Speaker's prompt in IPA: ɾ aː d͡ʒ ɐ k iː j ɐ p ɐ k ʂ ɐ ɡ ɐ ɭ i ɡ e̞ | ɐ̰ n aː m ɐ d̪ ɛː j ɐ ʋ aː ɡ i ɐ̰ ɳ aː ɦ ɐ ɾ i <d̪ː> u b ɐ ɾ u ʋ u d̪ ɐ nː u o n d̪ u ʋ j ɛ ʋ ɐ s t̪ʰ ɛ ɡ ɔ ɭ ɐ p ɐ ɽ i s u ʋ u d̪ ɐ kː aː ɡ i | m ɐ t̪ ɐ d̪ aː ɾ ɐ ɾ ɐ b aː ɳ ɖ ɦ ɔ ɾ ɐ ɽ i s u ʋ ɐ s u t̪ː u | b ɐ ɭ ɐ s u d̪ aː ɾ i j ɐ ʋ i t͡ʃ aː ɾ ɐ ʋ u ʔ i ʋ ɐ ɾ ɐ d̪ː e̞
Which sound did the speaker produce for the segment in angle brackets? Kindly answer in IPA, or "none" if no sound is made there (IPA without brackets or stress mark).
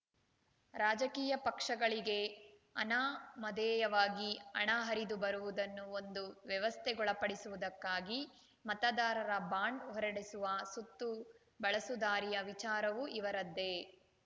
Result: d̪